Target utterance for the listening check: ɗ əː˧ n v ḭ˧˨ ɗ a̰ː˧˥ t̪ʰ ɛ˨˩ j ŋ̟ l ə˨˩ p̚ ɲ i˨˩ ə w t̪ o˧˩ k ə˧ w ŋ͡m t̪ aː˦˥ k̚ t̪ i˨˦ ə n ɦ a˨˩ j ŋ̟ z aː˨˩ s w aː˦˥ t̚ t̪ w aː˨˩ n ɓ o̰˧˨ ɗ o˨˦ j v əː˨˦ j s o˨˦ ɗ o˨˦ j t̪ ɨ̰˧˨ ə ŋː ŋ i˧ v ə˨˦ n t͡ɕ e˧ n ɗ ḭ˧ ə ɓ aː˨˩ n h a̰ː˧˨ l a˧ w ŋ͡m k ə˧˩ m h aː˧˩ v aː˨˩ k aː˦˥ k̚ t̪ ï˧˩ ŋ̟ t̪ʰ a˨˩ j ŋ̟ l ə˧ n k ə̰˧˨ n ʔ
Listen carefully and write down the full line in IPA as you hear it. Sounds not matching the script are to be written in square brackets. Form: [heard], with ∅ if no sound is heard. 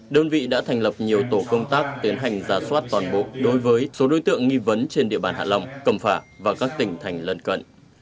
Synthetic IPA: ɗ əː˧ n v ḭ˧˨ ɗ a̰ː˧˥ t̪ʰ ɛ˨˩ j ŋ̟ l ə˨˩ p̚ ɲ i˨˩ ə w t̪ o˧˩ k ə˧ w ŋ͡m t̪ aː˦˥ k̚ t̪ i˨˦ ə n ɦ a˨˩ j ŋ̟ z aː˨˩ s w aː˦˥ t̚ t̪ w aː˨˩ n ɓ o̰˧˨ ɗ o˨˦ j v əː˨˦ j s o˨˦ ɗ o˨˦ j t̪ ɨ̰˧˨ ə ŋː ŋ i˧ v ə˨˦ n t͡ɕ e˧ n ɗ ḭ˧ ə ɓ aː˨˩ n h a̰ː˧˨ l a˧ w ŋ͡m k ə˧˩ m [f] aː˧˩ v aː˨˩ k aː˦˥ k̚ t̪ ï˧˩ ŋ̟ t̪ʰ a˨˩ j ŋ̟ l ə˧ n k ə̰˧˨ n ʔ